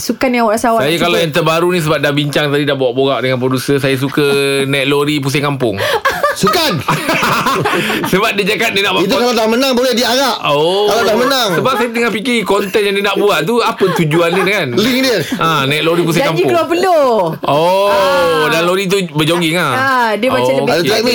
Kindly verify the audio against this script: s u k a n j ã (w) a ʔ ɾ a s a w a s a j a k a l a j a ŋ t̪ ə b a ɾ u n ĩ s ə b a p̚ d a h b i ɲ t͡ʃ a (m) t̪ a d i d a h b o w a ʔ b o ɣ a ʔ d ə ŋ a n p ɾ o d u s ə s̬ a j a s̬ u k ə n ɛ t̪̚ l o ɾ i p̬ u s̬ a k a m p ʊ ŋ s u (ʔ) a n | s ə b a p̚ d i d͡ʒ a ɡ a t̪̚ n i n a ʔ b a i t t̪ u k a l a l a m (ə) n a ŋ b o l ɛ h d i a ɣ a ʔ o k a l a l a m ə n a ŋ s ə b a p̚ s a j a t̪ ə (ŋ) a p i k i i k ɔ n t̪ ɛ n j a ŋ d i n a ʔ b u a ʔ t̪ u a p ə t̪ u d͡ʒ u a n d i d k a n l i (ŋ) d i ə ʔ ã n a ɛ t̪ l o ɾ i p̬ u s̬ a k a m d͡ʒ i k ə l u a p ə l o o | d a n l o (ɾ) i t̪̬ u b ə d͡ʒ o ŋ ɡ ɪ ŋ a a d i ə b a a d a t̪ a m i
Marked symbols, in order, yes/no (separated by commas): yes, no, no, yes, yes, yes, yes